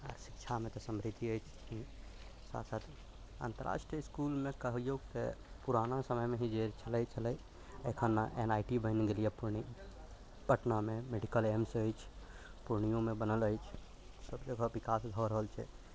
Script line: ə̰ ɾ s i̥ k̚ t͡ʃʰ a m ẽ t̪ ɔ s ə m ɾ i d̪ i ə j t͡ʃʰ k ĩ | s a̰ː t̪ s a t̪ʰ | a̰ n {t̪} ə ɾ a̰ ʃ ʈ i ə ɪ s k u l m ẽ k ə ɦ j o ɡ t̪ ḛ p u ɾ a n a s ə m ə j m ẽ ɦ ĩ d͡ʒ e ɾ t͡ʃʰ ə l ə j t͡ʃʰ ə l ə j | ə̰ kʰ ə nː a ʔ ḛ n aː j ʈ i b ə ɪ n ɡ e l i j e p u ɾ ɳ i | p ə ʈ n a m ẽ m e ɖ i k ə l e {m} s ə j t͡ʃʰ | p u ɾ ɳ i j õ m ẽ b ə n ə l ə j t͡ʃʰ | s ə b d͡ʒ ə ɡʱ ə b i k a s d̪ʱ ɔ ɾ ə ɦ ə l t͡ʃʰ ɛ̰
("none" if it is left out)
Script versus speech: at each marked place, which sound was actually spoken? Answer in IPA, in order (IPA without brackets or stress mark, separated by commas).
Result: t̪, m